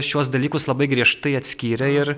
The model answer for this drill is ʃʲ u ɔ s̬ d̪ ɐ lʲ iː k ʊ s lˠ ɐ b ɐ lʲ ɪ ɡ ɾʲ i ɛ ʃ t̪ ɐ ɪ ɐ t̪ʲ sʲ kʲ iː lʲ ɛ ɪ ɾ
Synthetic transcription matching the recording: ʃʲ u ɔ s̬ d̪ ɐ lʲ iː k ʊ s lˠ ɐ b ɐ ɪ ɡ ɾʲ i ɛ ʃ t̪ ɐ ɪ ɐ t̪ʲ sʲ kʲ iː ɾʲ ɛ ɪ ɾ